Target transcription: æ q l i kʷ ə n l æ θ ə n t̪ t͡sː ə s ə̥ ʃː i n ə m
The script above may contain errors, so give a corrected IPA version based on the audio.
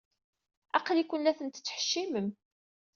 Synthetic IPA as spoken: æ q l i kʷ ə n l æ θ ə n t̪ t͡sː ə ħ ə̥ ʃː i m ə m